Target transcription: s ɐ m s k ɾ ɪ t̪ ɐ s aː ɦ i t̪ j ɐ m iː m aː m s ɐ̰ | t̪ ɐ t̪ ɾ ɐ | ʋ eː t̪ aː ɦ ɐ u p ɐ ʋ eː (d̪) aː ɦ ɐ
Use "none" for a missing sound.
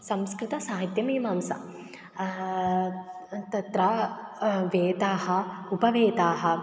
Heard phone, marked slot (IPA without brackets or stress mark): t̪